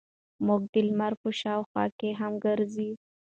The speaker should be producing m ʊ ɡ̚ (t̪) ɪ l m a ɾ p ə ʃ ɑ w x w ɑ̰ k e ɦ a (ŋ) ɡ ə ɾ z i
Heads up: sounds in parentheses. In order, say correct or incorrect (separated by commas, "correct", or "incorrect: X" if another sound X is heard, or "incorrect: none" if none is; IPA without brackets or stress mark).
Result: incorrect: d̪, incorrect: m